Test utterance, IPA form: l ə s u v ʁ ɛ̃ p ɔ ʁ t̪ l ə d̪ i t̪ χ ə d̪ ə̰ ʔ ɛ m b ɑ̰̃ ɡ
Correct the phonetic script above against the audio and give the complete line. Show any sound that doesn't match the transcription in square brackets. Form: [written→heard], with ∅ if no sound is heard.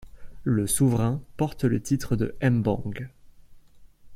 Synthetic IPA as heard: l ə s u v ʁ ɛ̃ p ɔ ʁ t̪ l ə [d̪→t̪] i t̪ χ ə d̪ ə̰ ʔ ɛ m b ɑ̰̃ ɡ